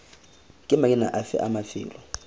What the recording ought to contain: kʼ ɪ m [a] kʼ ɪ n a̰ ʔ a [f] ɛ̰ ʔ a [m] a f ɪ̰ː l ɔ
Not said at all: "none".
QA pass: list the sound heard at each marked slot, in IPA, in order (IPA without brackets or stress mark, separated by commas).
a, f, m